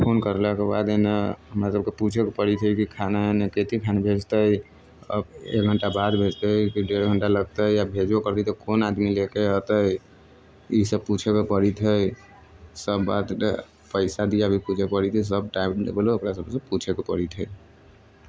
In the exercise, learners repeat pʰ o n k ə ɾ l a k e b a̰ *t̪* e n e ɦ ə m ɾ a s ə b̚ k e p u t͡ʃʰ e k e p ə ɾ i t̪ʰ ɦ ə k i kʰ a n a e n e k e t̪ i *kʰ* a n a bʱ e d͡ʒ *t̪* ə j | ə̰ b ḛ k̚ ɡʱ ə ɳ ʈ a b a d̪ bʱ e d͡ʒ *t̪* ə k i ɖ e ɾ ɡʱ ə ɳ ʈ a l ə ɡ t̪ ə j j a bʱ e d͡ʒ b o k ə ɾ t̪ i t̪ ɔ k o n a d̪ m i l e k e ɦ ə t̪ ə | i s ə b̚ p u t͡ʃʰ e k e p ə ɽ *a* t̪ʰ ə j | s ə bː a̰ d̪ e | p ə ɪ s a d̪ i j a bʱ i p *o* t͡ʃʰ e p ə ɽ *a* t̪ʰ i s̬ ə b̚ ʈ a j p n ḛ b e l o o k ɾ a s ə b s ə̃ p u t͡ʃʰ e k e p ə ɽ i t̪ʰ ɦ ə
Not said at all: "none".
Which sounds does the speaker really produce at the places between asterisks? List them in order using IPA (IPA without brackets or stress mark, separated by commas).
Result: d̪, kʰ, t̪, t̪, i, u, i